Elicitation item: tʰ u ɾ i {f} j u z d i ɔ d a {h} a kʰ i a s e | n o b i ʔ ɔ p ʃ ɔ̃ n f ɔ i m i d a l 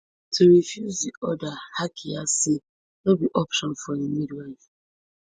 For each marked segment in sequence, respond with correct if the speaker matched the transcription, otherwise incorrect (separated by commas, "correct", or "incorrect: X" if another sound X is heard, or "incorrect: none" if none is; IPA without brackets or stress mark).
correct, correct